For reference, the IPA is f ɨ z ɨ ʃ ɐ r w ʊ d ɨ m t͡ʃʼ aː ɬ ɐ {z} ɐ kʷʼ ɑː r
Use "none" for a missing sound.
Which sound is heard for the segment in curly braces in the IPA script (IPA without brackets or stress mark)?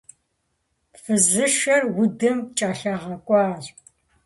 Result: ʁ